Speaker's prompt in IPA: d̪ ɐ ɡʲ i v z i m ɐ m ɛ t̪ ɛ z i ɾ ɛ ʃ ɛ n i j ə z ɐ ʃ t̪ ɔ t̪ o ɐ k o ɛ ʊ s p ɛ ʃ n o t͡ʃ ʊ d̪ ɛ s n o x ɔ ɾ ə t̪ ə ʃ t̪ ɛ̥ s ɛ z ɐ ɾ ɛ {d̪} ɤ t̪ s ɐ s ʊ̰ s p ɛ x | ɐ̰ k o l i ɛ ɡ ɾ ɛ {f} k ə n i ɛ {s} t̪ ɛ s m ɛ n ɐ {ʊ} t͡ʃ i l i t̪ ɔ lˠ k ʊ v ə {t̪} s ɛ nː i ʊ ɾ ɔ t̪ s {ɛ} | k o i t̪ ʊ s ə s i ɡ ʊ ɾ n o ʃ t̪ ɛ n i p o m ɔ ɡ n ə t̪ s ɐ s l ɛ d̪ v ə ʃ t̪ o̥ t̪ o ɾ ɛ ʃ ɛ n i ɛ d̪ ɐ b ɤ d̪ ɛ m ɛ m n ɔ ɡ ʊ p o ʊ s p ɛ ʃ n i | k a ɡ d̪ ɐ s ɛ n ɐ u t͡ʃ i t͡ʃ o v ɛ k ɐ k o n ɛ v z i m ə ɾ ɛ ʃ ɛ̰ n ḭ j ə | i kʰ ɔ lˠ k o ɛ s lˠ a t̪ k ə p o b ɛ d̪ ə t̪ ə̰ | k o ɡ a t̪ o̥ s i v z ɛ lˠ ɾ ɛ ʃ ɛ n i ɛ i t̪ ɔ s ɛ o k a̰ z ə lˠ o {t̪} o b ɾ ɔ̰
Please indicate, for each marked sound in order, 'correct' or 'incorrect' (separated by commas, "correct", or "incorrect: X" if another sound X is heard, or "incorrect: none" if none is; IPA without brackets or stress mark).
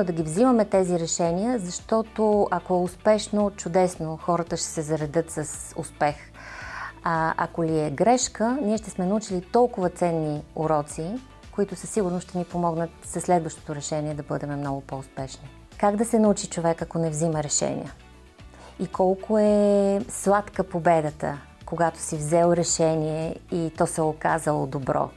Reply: correct, incorrect: ʃ, incorrect: ʃ, incorrect: u, correct, incorrect: i, incorrect: d̪